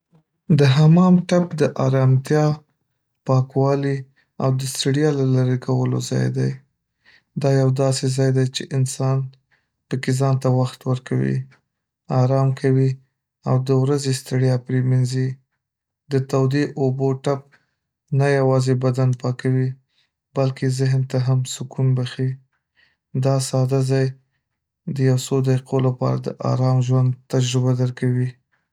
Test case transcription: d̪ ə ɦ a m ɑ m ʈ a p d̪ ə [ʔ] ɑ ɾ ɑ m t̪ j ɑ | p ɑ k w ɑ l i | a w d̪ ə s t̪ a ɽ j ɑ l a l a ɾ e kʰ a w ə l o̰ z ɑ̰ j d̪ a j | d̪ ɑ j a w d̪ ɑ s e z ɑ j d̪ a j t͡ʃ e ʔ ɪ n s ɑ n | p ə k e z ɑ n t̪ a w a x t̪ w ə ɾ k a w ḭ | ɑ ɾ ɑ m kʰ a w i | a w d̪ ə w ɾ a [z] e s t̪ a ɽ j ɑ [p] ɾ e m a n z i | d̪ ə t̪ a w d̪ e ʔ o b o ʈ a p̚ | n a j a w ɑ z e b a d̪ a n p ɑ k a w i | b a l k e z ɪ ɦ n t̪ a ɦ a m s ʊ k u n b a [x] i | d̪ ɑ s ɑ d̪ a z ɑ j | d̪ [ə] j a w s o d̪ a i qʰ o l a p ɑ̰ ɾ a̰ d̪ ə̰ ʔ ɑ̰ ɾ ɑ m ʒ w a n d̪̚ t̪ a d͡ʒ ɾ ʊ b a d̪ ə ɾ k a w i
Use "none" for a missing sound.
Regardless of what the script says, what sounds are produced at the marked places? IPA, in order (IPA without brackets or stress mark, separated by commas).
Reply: ʔ, z, p, x, ə